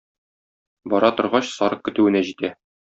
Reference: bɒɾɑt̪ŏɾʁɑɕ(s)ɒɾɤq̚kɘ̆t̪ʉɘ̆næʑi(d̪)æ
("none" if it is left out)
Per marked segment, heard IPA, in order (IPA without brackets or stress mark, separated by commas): s, t̪